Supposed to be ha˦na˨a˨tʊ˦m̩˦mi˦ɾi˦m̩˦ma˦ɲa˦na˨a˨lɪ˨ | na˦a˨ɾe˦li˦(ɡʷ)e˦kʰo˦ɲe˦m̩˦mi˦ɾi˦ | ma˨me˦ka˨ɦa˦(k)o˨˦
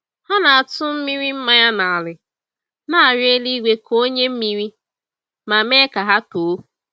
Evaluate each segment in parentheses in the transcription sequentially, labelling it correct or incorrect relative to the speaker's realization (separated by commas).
correct, incorrect